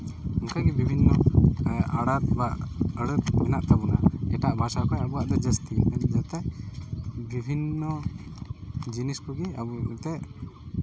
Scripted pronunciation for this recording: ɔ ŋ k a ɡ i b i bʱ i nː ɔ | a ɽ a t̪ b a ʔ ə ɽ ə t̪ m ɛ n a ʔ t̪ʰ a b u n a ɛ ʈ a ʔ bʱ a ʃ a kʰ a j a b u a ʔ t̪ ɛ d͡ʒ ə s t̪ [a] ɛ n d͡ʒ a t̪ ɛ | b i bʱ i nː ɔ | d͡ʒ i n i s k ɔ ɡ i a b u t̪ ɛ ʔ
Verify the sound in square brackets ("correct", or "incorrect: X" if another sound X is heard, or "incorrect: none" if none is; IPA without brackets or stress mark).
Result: incorrect: i